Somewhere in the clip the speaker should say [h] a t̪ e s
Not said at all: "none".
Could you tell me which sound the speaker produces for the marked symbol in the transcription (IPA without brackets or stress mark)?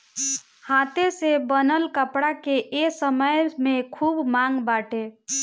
h